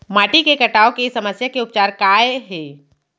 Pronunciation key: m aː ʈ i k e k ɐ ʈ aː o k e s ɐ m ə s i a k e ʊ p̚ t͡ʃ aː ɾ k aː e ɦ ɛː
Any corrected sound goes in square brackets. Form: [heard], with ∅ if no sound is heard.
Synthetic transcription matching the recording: m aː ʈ i k e k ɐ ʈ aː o k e s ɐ m ə s [j] a k e ʊ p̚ t͡ʃ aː ɾ k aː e ɦ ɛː